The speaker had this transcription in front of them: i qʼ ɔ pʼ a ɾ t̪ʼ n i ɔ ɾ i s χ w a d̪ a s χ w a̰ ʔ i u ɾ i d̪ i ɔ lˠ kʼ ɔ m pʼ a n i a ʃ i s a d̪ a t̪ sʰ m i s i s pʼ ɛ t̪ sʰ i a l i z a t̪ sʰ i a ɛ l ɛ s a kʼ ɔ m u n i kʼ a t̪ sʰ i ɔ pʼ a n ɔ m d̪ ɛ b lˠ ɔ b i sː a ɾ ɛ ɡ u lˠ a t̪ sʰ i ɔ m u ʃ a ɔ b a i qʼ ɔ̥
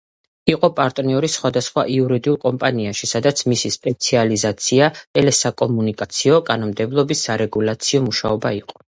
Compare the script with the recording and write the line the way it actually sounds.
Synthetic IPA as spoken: i qʼ ɔ pʼ a ɾ t̪ʼ n i ɔ ɾ i s χ w a d̪ a s χ w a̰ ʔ i u ɾ i d̪ i u lˠ kʼ ɔ m pʼ a n i a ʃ i s a d̪ a t̪ sʰ m i s i s pʼ ɛ t̪ sʰ i a l i z a t̪ sʰ i a ɛ l ɛ s a kʼ ɔ m u n i kʼ a t̪ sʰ i ɔ kʼ a n ɔ m d̪ ɛ b lˠ ɔ b i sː a ɾ ɛ ɡ u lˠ a t̪ sʰ i ɔ m u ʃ a ɔ b a i qʼ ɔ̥